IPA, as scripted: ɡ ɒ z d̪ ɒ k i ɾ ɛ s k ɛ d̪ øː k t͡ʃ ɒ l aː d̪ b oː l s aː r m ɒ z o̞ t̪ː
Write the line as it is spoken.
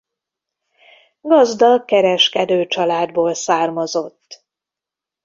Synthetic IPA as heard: ɡ ɒ z d̪ ɒ k ɛ ɾ ɛ ʃ k ɛ d̪ øː t͡ʃ ɒ l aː d̪ b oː l s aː r m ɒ z o̞ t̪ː